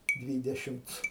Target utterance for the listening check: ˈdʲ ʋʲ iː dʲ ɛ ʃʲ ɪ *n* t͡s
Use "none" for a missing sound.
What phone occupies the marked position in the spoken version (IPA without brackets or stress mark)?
m